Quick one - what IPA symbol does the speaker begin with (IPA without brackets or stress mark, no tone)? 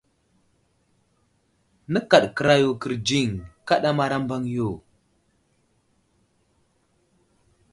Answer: n